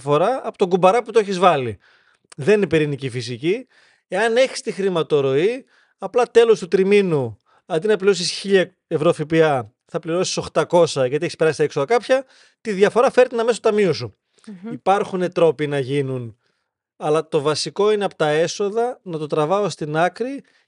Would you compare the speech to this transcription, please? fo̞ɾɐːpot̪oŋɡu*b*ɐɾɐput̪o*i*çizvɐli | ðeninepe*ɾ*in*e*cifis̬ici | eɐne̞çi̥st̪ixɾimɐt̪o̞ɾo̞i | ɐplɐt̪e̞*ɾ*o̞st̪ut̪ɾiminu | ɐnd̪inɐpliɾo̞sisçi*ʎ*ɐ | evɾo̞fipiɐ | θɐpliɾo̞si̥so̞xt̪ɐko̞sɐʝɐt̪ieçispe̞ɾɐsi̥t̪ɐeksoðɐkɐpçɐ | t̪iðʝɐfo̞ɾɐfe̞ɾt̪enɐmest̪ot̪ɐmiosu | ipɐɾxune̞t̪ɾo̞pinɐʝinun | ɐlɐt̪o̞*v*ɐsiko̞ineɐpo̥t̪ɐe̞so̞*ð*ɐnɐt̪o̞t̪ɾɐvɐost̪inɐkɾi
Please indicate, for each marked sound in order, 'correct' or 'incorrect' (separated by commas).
correct, incorrect, correct, incorrect, incorrect, correct, correct, correct